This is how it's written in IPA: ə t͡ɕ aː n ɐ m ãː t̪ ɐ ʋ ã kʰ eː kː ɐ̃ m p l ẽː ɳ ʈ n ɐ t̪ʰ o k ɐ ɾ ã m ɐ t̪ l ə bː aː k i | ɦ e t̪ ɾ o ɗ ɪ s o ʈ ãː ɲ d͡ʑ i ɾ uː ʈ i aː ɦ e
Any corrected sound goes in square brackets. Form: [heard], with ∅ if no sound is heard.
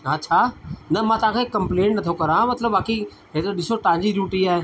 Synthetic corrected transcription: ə [t͡ɕʰ] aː n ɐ m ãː t̪ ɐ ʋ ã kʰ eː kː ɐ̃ m p l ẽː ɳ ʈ n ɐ t̪ʰ o k ɐ ɾ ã m ɐ t̪ l ə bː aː k i | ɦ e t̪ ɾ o ɗ ɪ s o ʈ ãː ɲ d͡ʑ i ɾ uː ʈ i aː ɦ e